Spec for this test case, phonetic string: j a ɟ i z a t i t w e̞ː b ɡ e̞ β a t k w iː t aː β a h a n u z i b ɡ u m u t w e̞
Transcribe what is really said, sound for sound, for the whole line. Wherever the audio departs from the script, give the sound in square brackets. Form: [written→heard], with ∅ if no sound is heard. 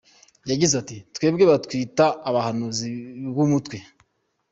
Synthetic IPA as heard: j a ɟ i z a t i t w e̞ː b ɡ e̞ β a t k w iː t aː β a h a n u z i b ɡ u m u t w e̞

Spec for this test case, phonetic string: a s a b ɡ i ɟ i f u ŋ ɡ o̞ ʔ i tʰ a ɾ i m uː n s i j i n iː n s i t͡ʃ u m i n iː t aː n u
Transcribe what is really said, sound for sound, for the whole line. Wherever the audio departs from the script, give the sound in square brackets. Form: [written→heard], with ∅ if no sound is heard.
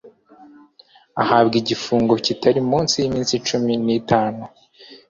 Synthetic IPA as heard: a [s→h] a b ɡ i ɟ i f [u→uː] ŋ ɡ o̞ [ʔ→c] i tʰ a ɾ i m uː n s i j i [n→m] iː n s i t͡ʃ u m i n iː t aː n u

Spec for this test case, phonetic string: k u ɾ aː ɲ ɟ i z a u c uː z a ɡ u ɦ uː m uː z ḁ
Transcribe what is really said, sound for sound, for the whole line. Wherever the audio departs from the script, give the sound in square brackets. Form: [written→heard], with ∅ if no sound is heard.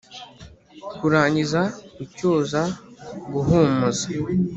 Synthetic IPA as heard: k u ɾ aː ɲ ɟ i z a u c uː z a ɡ u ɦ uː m [uː→u] z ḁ

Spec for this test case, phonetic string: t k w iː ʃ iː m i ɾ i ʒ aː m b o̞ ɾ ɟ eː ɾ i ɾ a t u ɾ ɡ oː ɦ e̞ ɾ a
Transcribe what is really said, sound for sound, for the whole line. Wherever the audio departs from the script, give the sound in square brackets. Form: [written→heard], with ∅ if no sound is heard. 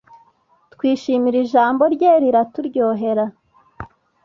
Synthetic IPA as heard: t k w iː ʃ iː m i ɾ i ʒ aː m b o̞ ɾ ɟ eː ɾ i ɾ a t u ɾ [ɡ→ɟ] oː ɦ e̞ ɾ a

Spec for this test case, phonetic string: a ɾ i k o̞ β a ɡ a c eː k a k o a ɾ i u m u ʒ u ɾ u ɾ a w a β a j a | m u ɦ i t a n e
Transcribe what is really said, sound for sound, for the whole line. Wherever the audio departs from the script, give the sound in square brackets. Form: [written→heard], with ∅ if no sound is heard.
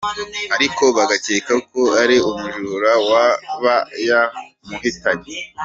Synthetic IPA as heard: a ɾ i k o̞ β a ɡ a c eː k a k o a ɾ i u m u ʒ u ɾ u ɾ a w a β a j a | m u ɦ i t a [n→ɲ] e

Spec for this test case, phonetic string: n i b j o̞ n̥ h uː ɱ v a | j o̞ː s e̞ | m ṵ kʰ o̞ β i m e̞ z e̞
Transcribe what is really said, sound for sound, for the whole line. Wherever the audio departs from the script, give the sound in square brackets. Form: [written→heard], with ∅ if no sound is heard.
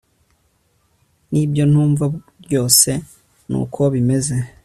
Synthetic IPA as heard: n i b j o̞ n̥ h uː ɱ v a | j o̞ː s e̞ | [m→n] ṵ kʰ o̞ β i m e̞ z e̞

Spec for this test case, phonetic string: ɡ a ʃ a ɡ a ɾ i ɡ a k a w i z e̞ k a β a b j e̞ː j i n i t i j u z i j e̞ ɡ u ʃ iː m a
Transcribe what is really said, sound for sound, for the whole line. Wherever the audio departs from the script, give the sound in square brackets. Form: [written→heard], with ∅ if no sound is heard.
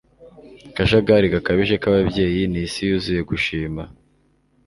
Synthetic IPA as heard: [ɡ→k] a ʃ a ɡ a ɾ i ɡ a k a [w→β] i [z→ʒ] e̞ k a β a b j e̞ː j i n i [t→s] i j u z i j e̞ ɡ u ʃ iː m a

